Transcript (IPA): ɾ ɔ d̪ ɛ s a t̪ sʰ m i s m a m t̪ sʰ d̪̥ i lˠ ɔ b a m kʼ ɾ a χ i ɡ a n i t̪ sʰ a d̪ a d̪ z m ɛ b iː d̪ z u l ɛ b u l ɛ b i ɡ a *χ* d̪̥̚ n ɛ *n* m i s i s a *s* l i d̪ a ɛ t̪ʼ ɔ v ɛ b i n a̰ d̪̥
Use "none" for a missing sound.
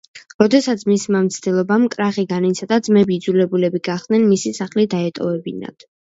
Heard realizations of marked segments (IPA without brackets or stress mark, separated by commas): χ, n, χ